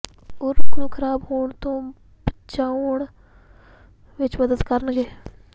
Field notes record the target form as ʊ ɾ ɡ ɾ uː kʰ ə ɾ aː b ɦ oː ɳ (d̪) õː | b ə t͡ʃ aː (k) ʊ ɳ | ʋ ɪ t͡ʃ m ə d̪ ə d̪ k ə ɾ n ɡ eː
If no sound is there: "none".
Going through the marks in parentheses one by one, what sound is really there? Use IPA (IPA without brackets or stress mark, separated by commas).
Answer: t̪, none